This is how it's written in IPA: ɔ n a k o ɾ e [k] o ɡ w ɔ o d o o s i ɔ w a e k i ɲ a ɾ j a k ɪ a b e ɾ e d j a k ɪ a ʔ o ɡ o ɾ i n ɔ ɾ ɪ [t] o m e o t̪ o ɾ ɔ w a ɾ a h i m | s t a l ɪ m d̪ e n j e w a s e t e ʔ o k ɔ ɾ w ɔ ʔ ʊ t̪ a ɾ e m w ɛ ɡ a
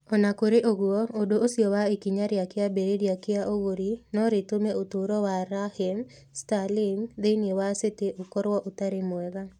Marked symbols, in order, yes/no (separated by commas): no, yes